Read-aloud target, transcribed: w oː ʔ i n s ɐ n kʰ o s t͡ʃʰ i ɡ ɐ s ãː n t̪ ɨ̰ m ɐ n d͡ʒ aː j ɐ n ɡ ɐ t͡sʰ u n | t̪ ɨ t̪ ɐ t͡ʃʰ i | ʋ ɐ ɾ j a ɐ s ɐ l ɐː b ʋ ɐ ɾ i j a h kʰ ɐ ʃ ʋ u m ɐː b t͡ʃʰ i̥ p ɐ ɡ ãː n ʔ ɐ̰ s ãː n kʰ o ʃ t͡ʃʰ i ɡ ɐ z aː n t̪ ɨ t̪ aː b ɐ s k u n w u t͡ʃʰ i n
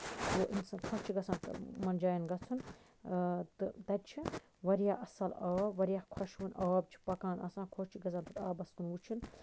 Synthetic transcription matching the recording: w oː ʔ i n s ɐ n kʰ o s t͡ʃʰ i ɡ ɐ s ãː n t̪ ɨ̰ m ɐ n d͡ʒ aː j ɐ n ɡ ɐ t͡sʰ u n | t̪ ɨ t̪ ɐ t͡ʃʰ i | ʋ ɐ ɾ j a ɐ s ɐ l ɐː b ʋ ɐ ɾ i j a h kʰ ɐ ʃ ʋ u n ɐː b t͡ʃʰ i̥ p ɐ k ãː n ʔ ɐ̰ s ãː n kʰ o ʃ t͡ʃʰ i ɡ ɐ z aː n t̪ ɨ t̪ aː b ɐ s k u n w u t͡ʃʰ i n